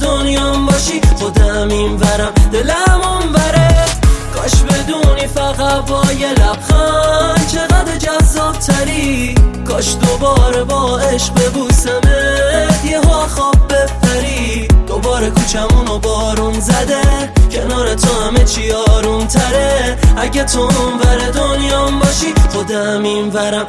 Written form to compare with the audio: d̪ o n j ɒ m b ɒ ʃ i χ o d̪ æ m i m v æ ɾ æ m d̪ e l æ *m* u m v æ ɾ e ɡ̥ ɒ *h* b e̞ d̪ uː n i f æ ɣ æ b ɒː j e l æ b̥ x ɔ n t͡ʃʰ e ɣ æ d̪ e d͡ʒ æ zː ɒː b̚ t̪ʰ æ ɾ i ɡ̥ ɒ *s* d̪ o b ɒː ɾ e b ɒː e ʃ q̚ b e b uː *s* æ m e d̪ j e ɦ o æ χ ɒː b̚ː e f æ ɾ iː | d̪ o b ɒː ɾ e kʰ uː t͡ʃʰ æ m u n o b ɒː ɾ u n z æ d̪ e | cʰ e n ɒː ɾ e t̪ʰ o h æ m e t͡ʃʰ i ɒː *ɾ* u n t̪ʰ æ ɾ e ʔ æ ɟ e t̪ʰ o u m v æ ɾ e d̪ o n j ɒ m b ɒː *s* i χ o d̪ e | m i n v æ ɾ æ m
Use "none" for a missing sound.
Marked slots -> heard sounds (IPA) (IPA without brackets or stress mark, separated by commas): m, ʃ, ʃ, s, ɾ, ʃ